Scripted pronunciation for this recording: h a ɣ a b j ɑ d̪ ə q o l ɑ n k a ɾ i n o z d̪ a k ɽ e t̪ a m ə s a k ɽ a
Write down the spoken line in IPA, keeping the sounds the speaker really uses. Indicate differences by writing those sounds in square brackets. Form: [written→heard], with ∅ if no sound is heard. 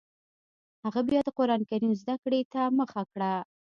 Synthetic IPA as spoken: h a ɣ a b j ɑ d̪ ə q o [l→ɾ] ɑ n k a ɾ i n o z d̪ a k ɽ e t̪ a m ə [s→x] a k ɽ a